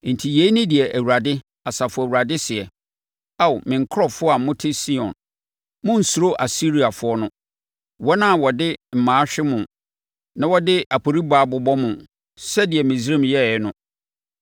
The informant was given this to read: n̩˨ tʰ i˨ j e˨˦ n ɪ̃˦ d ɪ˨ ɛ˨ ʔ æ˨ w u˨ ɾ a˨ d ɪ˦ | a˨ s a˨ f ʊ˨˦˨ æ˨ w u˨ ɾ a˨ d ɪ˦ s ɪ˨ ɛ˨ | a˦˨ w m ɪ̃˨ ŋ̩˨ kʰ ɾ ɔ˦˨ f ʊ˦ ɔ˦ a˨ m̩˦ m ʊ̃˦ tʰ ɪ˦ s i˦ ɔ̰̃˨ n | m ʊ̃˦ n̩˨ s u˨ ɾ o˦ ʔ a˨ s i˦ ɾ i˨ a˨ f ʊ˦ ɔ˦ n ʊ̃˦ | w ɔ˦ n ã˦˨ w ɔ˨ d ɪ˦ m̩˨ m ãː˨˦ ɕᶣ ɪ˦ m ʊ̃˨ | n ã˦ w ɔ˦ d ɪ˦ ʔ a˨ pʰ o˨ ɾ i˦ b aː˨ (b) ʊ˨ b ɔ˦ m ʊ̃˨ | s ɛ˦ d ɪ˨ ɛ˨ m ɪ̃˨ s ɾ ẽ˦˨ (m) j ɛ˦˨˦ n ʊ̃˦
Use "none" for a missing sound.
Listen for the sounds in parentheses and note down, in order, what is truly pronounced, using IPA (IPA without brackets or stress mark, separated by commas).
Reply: b, m